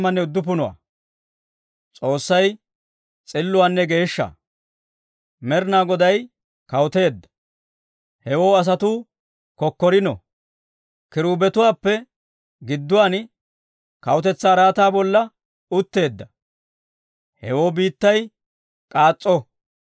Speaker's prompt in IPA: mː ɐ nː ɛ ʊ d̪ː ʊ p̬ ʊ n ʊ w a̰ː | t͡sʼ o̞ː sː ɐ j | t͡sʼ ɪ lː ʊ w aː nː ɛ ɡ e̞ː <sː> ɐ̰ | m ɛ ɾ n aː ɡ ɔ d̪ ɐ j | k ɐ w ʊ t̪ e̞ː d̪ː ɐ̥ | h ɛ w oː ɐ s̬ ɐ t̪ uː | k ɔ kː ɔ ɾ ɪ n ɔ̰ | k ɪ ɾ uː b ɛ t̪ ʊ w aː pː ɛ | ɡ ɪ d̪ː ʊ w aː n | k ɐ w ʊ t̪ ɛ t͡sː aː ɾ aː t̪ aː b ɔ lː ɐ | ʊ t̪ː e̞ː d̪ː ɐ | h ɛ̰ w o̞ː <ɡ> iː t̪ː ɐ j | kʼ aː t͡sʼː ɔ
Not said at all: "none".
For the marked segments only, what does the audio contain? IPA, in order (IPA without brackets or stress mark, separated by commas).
ʃː, b